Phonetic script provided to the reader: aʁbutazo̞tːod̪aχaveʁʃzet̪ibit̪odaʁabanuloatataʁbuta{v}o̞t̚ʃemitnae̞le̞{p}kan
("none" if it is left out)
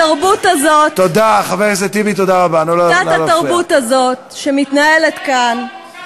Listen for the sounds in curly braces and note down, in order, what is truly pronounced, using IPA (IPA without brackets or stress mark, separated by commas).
z, t